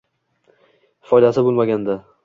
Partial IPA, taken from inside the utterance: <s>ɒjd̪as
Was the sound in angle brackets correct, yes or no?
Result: no